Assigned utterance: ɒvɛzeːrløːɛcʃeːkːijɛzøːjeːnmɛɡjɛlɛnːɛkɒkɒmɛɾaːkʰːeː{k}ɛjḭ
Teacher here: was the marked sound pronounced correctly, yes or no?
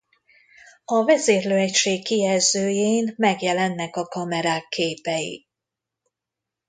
no